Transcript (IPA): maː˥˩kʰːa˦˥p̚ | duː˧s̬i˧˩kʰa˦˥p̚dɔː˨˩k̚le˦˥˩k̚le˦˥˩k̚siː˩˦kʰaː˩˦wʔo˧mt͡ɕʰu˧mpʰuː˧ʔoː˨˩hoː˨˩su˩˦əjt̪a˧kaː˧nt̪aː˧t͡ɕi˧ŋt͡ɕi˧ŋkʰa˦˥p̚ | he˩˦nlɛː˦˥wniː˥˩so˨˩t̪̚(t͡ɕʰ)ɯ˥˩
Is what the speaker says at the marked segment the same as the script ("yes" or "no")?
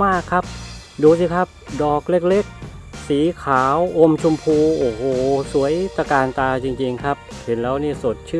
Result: yes